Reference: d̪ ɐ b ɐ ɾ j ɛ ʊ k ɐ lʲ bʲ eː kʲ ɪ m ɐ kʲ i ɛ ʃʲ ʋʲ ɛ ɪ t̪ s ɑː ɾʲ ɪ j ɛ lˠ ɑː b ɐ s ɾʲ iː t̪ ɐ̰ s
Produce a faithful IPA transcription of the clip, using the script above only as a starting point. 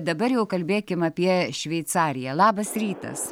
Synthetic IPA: d̪ ɐ b ɐ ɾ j ɛ ʊ k ɐ lʲ bʲ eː kʲ ɪ m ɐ pʲ i ɛ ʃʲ ʋʲ ɛ ɪ t̪ s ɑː ɾʲ ɪ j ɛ lˠ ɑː b ɐ s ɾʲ iː t̪ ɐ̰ s